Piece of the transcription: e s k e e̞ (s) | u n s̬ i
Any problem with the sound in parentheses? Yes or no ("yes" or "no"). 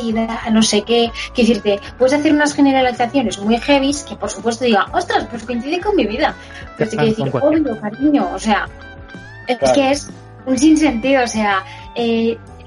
no